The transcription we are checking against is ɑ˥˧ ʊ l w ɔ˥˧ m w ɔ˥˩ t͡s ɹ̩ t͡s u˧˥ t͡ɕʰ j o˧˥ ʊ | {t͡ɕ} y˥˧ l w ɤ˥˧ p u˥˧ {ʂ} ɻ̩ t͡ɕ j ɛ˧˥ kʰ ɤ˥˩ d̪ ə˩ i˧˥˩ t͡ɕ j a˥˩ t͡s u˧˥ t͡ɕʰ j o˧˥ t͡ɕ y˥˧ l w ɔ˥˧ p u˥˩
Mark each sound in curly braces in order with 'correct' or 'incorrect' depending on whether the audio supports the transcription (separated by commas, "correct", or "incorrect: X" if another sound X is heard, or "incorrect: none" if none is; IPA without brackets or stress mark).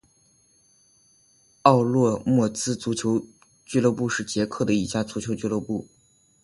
correct, correct